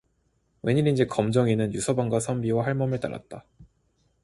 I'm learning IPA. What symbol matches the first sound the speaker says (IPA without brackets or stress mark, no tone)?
w